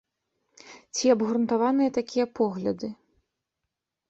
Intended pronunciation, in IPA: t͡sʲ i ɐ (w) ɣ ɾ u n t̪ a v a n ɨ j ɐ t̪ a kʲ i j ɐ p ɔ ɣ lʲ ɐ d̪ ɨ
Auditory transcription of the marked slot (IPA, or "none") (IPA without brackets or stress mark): b